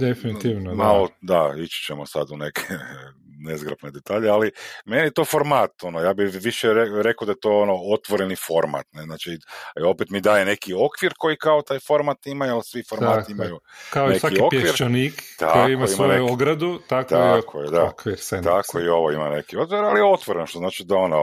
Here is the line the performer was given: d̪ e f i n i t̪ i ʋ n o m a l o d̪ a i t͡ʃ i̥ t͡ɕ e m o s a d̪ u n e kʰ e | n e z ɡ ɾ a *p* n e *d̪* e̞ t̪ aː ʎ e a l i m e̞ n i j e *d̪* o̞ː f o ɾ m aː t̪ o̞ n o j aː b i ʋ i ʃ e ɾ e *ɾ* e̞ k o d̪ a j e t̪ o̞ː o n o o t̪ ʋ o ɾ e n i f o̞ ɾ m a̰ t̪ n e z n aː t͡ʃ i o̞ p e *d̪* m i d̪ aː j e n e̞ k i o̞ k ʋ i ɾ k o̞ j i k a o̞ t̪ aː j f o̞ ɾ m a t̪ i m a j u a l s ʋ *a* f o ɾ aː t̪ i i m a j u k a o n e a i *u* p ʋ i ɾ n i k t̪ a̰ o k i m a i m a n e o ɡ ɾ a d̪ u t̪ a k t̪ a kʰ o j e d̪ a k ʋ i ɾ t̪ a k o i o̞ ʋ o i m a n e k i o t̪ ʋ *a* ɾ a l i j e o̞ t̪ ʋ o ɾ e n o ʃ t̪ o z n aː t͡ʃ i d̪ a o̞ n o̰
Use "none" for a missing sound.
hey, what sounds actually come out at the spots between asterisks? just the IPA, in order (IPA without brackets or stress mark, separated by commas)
p, d̪, t̪, ɾ, t̪, i, o, i